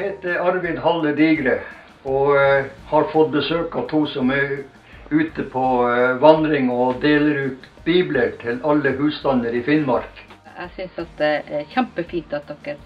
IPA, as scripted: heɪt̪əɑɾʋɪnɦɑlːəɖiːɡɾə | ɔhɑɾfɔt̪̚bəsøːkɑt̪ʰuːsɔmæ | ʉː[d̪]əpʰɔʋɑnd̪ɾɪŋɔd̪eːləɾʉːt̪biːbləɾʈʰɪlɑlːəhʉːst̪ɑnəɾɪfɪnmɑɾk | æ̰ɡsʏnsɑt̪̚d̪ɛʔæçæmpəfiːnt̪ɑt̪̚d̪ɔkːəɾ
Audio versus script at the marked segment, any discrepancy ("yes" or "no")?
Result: yes